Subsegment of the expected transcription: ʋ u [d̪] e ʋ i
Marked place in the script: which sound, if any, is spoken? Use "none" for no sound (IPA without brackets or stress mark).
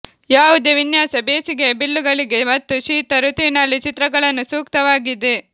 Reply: d̪